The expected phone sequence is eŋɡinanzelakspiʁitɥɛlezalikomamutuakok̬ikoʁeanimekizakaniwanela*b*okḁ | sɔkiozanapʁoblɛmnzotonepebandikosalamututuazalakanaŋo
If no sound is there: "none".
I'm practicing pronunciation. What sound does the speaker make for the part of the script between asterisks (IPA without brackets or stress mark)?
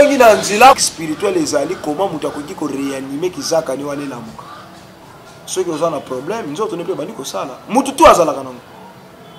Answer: m